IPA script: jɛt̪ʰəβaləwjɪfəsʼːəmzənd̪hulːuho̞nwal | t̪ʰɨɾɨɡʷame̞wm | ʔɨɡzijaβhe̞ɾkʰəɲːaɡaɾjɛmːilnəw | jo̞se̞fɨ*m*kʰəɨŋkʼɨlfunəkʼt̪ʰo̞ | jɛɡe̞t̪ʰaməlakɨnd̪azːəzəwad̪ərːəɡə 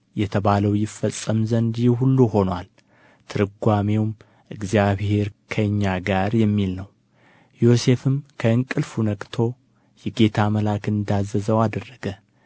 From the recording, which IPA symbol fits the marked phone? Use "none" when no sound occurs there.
m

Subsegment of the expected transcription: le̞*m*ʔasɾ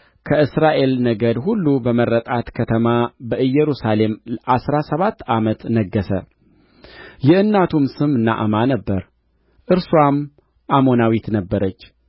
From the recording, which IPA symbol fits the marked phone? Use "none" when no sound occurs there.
m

